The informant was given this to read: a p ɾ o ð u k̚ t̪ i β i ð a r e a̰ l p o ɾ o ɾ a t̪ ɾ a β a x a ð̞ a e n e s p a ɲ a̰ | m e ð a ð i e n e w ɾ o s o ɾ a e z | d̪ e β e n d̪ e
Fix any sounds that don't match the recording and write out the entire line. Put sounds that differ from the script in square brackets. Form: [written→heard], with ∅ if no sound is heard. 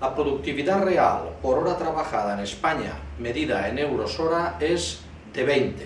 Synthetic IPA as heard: a p ɾ o ð u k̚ t̪ i β i ð a r e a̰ l p o ɾ o ɾ a t̪ ɾ a β a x a ð̞ a e n e s p a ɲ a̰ | m e ð [a→i] ð [i→a] e n e w ɾ o s o ɾ a e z | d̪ e β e n [d̪→t̪] e